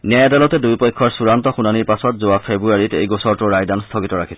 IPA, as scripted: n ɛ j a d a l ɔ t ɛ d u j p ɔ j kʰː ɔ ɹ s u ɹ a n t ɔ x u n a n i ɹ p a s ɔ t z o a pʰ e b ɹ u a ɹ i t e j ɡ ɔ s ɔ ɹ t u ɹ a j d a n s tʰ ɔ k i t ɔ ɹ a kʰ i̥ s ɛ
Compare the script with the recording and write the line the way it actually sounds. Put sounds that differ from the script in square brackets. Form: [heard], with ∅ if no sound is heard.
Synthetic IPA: n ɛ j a d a l ɔ t ɛ d u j p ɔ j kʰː ɔ ɹ s u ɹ a n t ɔ x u n a n i ɹ p a s ɔ t z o a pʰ e b ɹ u a ɹ i t e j ɡ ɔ s ɔ ɹ t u ɹ a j d a n s tʰ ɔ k i t ɔ ɹ a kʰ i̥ s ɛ

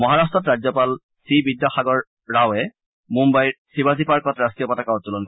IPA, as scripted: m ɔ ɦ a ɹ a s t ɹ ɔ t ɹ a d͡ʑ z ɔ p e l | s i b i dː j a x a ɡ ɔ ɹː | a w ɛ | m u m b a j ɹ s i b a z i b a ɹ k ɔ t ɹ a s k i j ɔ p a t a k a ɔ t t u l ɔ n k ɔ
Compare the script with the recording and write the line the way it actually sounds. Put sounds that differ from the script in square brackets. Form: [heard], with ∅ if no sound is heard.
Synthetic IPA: m ɔ ɦ a ɹ a s t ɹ ɔ t ɹ a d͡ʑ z ɔ p [a] l | s i b i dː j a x a ɡ ɔ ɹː | a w ɛ | m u m b a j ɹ s i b a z i [p] a ɹ k ɔ t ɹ a s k i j ɔ p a t a k a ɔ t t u l ɔ n k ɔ

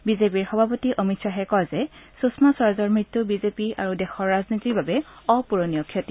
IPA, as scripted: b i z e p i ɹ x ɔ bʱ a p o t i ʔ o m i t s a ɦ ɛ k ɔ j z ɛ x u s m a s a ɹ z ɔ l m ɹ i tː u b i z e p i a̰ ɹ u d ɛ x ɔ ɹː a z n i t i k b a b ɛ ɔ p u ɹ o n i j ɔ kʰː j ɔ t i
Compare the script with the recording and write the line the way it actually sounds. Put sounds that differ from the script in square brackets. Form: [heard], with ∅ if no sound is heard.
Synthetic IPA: b i z e p i ɹ x ɔ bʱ a p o t i ʔ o m i t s a ɦ ɛ k ɔ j z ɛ [s] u s m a s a ɹ z ɔ [ɹ] m ɹ i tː u b i z e p i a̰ ɹ u d ɛ x ɔ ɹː a z n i t i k b a b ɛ ɔ p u ɹ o n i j ɔ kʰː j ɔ t i

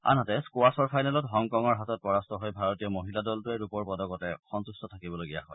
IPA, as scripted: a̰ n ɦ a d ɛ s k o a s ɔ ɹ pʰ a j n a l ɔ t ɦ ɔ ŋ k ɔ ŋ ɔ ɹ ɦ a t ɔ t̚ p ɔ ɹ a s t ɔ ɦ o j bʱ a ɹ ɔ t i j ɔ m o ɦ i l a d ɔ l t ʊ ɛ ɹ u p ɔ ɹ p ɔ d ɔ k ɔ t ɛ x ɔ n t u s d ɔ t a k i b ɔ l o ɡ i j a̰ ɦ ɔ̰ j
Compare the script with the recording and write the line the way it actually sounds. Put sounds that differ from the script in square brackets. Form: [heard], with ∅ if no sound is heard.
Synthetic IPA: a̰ n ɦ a [t] ɛ s k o a s ɔ ɹ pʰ a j n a l ɔ t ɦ ɔ ŋ k ɔ ŋ ɔ ɹ ɦ a t ɔ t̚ p ɔ ɹ a s t ɔ ɦ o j bʱ a ɹ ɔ t i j ɔ m o ɦ i l a d ɔ l t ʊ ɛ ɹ u p ɔ ɹ p ɔ d ɔ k ɔ t ɛ x ɔ n t u s [t] ɔ [tʰ] a k i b ɔ l o ɡ i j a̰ ɦ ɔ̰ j

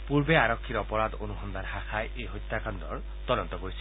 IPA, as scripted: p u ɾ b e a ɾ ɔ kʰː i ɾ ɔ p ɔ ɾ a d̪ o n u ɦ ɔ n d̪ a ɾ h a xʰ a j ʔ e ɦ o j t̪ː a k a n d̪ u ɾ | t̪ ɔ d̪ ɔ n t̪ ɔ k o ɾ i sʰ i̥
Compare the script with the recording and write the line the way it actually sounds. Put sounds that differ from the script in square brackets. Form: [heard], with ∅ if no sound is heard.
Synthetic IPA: p u ɾ b e a ɾ ɔ kʰː i ɾ ɔ p ɔ ɾ a d̪ o n u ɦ ɔ n d̪ a ɾ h a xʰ a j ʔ e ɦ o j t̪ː a k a n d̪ [ɔ] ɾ | t̪ ɔ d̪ ɔ n t̪ ɔ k o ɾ i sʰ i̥

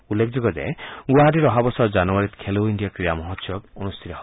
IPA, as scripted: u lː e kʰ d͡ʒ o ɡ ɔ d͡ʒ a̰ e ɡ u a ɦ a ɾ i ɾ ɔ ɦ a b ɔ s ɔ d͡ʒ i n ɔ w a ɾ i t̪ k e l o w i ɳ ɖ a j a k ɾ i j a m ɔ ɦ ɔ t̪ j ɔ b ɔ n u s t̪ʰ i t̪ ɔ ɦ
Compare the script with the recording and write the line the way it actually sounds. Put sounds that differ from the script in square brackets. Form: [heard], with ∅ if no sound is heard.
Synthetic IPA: u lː e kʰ d͡ʒ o ɡ ɔ d͡ʒ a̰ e ɡ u a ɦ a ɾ i ɾ ɔ ɦ a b ɔ s ɔ d͡ʒ [a] n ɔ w a ɾ i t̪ [kʰ] e l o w i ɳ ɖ [i] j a k ɾ i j a m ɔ ɦ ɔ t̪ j ɔ b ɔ n u s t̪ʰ i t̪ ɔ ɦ

